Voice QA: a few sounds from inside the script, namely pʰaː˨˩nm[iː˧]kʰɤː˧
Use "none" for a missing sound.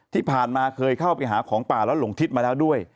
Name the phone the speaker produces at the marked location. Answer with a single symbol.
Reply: aː˧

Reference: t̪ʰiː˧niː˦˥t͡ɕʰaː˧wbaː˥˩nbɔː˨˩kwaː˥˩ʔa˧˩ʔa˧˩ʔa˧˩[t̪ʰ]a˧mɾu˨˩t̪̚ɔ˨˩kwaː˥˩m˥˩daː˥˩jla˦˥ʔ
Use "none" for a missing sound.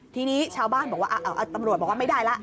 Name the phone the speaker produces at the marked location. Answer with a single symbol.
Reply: t̪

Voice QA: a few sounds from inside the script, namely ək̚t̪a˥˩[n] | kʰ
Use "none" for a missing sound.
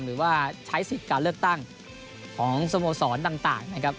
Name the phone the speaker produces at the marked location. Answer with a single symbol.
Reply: ŋ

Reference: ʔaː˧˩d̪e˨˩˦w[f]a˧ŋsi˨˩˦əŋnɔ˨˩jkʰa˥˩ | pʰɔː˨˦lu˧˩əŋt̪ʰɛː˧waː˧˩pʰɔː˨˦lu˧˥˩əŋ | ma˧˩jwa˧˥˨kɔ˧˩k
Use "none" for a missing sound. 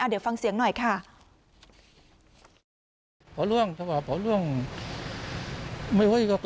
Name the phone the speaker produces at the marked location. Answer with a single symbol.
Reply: f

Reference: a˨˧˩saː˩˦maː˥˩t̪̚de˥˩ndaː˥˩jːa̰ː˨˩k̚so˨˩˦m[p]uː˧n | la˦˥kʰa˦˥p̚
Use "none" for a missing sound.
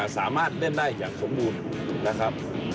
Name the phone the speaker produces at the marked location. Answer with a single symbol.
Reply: b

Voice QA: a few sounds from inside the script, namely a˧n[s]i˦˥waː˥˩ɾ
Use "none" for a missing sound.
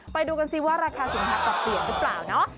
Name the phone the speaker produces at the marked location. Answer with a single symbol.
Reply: s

